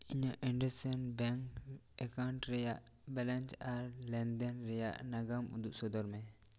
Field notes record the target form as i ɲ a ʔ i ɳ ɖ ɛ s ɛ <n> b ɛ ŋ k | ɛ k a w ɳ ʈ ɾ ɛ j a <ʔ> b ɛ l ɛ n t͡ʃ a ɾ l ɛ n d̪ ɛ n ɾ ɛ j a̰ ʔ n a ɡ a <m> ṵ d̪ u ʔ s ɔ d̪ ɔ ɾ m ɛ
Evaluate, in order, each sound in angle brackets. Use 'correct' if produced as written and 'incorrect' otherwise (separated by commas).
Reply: correct, correct, correct